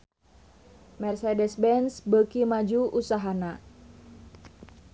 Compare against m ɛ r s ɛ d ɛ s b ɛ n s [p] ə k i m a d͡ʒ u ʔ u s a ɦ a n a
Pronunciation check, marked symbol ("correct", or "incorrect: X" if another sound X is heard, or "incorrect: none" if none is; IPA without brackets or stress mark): incorrect: b